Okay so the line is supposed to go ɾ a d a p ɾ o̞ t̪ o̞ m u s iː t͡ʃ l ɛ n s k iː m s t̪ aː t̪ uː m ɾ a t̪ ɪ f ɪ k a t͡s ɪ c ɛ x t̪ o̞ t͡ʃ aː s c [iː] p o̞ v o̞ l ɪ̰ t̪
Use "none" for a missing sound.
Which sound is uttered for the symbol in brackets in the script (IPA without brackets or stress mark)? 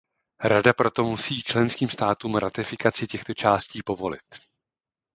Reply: iː